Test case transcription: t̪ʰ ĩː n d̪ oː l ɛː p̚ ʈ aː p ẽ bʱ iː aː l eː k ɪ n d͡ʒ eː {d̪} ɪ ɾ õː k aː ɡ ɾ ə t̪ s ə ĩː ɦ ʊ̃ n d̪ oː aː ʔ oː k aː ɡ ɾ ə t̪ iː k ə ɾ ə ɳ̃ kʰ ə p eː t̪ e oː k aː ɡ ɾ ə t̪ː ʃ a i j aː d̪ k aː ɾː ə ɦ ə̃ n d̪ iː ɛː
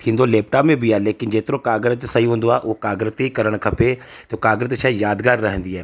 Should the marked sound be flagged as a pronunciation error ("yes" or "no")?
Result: yes